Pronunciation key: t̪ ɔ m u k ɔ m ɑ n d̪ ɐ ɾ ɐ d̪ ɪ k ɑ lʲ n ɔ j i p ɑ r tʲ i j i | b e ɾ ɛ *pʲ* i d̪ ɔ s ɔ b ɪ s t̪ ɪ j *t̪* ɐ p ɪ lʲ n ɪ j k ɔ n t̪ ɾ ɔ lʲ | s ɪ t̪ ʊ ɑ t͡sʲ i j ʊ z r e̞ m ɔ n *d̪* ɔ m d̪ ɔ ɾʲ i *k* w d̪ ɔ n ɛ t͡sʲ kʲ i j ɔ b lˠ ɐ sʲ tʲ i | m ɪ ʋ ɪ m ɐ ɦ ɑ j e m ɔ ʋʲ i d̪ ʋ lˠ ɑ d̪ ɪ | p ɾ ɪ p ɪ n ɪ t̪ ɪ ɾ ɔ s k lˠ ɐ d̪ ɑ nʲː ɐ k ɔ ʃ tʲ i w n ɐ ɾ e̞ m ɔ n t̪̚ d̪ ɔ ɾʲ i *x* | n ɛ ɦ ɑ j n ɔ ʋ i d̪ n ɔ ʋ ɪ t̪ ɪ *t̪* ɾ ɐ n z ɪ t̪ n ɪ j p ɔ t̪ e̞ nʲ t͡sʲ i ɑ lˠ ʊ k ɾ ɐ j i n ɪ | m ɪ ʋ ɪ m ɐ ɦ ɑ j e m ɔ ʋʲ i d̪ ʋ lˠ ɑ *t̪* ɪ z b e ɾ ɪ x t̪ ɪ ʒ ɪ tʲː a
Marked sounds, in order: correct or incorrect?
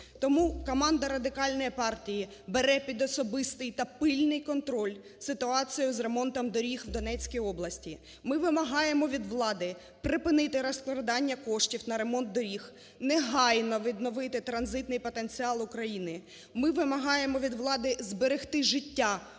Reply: correct, correct, incorrect: t̪, incorrect: x, correct, correct, incorrect: d̪

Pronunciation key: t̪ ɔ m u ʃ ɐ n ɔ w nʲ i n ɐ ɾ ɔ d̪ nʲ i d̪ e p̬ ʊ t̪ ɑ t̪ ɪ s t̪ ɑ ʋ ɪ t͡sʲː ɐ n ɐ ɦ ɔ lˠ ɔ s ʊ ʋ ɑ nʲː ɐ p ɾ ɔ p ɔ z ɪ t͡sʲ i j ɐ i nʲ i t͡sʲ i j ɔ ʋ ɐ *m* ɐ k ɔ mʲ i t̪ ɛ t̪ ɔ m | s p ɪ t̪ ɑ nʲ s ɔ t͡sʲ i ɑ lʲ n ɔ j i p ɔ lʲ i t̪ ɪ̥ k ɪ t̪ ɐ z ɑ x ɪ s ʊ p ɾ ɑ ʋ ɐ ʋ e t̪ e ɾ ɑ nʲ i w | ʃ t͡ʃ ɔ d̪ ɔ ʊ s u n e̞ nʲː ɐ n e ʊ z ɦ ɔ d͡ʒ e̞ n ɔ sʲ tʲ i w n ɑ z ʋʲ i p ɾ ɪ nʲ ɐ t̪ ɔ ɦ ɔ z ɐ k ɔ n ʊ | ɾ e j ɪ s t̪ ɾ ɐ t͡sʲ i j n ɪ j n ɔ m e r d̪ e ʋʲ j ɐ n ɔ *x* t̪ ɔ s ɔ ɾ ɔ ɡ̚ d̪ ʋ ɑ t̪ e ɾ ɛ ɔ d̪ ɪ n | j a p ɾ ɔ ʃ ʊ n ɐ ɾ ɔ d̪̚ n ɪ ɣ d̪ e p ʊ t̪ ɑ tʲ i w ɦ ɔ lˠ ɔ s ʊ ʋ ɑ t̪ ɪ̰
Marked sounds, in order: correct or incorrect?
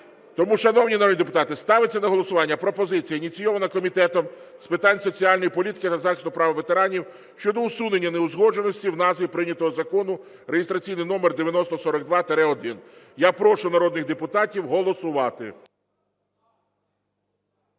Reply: incorrect: n, incorrect: s

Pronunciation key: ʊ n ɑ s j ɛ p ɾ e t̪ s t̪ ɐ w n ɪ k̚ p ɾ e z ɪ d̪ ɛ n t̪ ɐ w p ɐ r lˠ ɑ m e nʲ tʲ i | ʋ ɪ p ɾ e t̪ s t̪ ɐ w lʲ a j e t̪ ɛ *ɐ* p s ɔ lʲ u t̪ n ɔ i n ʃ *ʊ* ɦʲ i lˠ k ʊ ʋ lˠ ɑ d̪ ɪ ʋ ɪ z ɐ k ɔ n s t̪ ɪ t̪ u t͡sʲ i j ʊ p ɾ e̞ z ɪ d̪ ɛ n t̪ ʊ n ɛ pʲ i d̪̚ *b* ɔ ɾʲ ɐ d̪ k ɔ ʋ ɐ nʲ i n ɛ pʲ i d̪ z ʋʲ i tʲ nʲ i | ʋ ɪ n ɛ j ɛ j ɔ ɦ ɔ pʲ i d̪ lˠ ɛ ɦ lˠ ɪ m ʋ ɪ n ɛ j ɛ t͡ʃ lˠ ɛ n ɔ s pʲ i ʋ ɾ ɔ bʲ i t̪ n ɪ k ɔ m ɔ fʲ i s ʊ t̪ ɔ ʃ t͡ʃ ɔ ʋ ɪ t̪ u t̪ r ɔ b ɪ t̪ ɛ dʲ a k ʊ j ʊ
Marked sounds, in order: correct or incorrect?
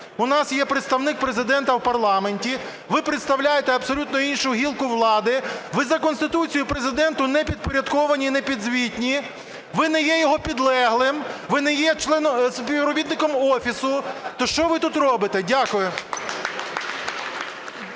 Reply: correct, correct, incorrect: p

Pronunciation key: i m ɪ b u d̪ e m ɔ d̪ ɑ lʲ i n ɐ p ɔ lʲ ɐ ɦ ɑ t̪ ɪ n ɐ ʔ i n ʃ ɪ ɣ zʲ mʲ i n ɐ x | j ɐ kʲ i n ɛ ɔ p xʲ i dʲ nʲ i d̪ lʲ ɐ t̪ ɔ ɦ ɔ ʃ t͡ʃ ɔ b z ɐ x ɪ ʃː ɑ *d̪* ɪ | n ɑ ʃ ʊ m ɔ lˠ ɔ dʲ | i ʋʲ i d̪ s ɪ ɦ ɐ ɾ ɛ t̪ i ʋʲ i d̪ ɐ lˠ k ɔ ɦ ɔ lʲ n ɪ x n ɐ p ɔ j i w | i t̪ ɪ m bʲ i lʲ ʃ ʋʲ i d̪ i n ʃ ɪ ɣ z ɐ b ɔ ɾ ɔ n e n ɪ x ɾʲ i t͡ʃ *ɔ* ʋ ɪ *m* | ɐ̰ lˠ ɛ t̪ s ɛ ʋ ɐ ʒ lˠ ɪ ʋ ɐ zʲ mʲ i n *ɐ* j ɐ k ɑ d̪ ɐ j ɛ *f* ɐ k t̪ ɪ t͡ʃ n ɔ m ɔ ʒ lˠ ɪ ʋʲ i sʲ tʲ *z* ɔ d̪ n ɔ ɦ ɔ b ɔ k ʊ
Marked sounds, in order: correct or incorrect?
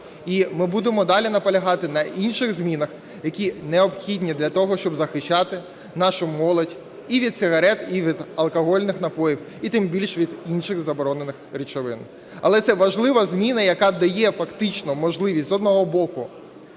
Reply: incorrect: t̪, correct, incorrect: n, correct, correct, correct

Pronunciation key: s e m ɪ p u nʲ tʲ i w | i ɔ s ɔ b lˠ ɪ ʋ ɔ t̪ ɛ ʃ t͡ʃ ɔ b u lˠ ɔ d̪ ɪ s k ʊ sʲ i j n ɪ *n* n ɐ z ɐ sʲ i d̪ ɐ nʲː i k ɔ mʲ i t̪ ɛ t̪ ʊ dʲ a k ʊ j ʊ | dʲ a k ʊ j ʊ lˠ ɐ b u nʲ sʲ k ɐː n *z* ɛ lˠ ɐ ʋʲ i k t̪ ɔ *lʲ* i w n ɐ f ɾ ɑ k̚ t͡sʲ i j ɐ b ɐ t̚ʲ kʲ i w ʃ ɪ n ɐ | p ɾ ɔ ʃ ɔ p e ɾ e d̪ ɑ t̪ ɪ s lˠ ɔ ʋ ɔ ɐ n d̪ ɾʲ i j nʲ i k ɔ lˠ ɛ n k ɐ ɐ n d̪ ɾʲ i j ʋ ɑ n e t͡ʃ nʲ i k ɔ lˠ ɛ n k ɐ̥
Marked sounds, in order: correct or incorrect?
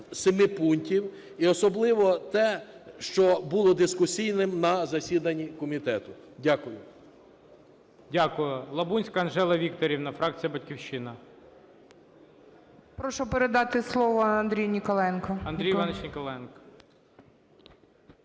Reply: incorrect: m, incorrect: ʒ, incorrect: ɾʲ

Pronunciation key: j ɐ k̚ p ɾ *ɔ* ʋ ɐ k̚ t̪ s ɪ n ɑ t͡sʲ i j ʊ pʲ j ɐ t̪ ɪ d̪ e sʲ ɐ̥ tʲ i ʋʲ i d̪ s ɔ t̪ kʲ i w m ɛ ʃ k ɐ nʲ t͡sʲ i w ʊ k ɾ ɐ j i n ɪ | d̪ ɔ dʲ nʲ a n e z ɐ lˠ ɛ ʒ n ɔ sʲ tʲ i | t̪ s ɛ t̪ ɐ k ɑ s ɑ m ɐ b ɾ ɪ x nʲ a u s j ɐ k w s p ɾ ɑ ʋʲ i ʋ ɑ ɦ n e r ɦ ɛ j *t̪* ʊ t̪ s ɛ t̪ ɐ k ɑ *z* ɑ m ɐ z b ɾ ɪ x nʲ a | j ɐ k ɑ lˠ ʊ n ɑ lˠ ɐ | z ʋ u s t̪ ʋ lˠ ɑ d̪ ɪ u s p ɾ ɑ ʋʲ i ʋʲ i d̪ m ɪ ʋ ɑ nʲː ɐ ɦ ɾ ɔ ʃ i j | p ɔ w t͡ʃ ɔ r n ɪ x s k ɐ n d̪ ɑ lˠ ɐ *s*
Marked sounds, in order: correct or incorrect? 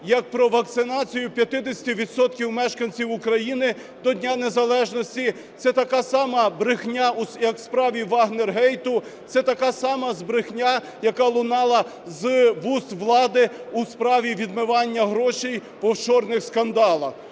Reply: correct, correct, incorrect: s, incorrect: x

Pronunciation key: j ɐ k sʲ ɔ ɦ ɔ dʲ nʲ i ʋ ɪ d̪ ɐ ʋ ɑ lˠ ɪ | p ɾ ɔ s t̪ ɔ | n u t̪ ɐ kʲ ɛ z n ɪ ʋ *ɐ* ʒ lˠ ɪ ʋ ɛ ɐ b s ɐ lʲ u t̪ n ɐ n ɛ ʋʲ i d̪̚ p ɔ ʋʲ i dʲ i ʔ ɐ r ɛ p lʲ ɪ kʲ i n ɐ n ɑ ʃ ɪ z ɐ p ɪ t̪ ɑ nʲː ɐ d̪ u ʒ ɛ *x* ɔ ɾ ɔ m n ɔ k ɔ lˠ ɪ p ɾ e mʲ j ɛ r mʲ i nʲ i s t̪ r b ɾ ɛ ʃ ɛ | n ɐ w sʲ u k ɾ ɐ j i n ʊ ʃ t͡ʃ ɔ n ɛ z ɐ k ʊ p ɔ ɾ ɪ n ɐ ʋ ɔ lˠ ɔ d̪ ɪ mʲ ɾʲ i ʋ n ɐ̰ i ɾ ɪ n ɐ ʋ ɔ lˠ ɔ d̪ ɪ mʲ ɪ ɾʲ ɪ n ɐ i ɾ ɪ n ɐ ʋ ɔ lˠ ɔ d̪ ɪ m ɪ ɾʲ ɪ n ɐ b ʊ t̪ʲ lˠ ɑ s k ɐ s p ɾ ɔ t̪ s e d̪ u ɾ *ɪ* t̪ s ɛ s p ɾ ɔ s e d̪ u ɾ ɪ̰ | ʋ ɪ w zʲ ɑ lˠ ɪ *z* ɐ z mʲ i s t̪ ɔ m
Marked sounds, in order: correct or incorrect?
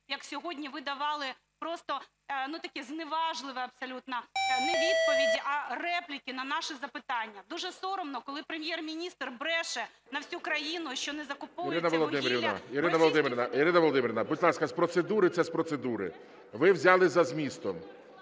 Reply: incorrect: ɑ, incorrect: s, correct, correct

